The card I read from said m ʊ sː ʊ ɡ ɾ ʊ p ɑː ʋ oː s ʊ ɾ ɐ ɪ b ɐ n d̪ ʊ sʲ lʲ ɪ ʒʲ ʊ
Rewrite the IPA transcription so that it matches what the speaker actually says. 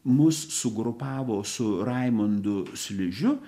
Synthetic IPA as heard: m ʊ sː ʊ ɡ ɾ ʊ p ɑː ʋ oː s ʊ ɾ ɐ ɪ m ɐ n d̪ ʊ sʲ lʲ ɪ ʒʲ ʊ